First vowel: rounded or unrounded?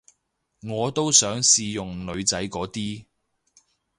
rounded